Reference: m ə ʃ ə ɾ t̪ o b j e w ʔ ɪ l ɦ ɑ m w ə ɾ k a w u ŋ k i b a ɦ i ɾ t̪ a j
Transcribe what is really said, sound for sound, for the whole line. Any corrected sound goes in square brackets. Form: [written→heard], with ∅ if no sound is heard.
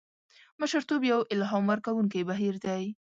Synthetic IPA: m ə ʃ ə ɾ t̪ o b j [e→a] w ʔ ɪ l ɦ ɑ m w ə ɾ k a w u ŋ k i b a ɦ i ɾ [t̪→d̪] a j